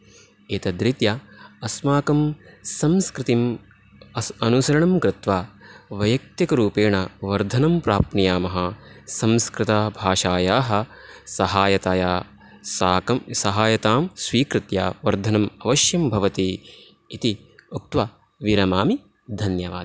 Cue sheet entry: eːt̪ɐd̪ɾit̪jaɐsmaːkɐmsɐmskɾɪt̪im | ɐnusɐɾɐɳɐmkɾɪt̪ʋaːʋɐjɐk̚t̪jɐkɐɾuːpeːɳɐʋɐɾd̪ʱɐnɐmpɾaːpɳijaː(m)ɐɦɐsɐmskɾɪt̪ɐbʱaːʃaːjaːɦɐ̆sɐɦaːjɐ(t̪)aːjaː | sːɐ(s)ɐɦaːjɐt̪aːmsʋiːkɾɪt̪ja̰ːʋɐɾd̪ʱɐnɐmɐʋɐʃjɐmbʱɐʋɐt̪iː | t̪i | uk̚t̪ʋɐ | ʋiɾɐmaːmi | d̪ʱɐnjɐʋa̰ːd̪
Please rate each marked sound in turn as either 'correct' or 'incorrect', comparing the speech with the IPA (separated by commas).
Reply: correct, correct, correct